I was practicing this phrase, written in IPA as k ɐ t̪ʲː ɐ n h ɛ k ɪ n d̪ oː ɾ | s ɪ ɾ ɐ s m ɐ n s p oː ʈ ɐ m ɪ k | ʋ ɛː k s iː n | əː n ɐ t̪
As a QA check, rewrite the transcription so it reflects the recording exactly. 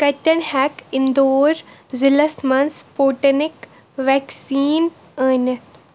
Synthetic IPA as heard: k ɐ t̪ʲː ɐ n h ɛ k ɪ n d̪ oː ɾ | z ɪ l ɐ s m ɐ n s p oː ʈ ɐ n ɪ k | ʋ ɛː k s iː n | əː n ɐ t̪